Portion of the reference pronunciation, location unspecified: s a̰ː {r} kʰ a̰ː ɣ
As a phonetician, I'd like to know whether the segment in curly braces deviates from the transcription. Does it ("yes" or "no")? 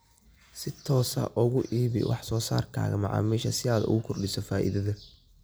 no